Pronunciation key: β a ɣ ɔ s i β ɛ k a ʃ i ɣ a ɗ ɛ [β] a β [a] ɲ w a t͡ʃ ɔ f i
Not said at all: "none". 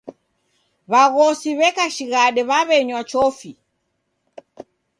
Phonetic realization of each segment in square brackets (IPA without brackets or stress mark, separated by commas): β, ɛ